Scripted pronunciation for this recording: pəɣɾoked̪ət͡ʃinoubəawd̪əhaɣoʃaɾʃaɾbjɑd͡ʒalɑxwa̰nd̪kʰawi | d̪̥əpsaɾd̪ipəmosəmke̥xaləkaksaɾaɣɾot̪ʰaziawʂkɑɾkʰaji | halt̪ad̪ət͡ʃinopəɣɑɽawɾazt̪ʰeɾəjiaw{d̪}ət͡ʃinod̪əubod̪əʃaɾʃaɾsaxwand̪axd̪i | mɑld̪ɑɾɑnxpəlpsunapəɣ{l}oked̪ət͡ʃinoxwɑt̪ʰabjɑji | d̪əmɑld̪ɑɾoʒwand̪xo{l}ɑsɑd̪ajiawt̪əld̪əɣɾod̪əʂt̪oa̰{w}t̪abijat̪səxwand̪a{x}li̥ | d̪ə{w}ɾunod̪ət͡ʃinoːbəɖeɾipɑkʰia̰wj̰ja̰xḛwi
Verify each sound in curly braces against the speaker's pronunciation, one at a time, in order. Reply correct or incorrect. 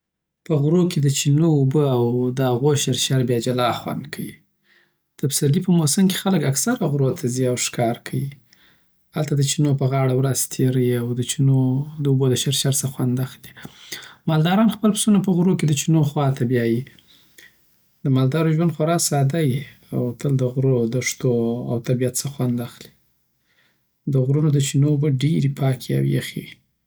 correct, incorrect, incorrect, correct, correct, incorrect

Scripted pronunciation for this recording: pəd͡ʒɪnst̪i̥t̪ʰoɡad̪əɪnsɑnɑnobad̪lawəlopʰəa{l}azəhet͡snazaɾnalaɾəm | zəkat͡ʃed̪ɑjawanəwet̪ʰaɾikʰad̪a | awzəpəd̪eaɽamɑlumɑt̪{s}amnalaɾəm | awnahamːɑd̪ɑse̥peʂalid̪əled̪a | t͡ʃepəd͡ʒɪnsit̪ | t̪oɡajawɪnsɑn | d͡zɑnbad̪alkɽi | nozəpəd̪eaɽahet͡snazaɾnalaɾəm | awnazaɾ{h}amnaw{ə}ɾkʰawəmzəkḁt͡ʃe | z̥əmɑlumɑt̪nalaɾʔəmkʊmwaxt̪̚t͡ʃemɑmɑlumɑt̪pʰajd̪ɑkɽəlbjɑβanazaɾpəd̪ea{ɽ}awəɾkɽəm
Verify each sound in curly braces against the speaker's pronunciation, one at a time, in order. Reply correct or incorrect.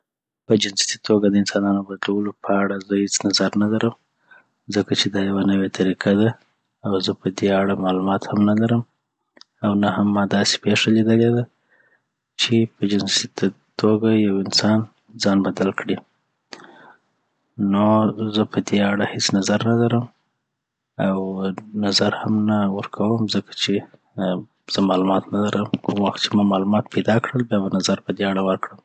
incorrect, incorrect, correct, correct, correct

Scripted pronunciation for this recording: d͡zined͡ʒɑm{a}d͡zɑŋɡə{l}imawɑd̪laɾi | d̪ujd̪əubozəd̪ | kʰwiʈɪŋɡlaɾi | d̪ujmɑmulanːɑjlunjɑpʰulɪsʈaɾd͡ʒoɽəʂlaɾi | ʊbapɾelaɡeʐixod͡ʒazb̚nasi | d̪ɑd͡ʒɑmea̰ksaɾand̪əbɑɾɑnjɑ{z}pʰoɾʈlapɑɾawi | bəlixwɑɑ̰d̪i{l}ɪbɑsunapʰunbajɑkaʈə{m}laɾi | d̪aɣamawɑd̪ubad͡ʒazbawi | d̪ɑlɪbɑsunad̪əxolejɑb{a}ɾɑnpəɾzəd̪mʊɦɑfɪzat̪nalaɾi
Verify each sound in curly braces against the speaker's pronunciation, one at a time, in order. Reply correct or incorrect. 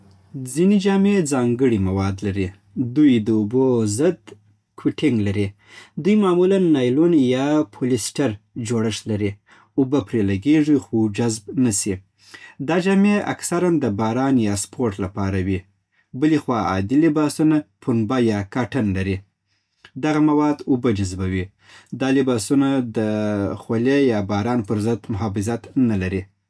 incorrect, incorrect, incorrect, correct, incorrect, incorrect

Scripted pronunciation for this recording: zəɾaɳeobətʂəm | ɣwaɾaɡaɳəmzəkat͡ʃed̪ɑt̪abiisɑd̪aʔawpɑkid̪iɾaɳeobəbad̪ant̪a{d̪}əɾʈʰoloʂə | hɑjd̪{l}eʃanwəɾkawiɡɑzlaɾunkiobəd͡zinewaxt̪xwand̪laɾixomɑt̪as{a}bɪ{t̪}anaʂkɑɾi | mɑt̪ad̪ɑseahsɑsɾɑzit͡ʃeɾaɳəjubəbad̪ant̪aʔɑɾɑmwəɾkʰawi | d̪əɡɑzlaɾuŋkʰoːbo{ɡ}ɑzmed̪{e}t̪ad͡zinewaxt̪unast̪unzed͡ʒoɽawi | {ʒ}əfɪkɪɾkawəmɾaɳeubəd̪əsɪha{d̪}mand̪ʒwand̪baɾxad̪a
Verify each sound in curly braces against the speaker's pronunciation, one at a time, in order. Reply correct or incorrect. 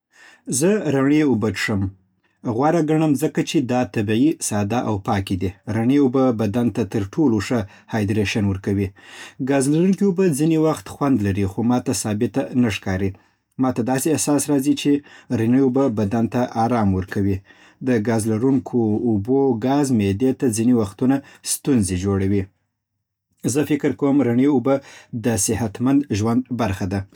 incorrect, incorrect, incorrect, correct, correct, correct, incorrect, incorrect

